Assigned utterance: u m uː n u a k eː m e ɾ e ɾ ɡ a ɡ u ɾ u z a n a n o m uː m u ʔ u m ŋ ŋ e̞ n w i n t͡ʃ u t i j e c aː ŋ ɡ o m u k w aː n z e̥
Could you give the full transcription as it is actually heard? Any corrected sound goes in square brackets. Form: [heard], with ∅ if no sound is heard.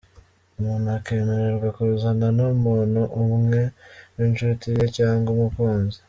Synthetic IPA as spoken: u m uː n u a k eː m e ɾ e ɾ ɡ a [k] u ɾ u z a n a n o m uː [n] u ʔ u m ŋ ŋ e̞ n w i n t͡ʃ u t i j e c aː ŋ ɡ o m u k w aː n z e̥